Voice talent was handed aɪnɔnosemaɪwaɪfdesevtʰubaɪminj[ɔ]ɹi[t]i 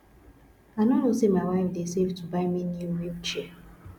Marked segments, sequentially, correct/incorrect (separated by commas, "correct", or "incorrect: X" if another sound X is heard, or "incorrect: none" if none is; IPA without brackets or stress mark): incorrect: u, incorrect: t͡ʃ